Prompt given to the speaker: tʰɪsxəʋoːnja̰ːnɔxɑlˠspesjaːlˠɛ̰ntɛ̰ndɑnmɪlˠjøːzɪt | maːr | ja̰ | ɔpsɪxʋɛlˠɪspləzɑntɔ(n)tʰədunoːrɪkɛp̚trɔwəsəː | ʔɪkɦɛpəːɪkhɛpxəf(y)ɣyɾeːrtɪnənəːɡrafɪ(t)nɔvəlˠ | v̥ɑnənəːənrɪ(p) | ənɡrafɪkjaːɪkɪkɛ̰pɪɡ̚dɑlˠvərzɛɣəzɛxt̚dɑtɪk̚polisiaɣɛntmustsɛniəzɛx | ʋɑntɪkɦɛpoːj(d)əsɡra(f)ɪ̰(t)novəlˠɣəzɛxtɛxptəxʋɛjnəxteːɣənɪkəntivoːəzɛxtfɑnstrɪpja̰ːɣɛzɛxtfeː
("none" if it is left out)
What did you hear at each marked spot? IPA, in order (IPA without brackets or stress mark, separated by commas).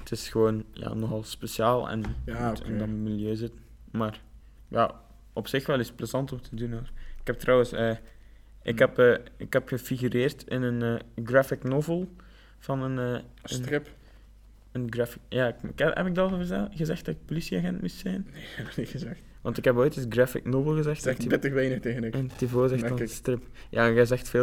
m, i, k, p, t, f, k